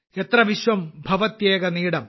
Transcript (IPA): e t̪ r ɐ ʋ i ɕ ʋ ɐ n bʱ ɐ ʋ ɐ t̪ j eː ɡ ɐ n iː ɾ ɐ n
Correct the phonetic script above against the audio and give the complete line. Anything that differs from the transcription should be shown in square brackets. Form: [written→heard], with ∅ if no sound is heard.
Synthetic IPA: e t̪ r ɐ ʋ i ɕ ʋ ɐ [n→m] bʱ ɐ ʋ ɐ t̪ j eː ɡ ɐ n iː [ɾ→ɽ] ɐ [n→m]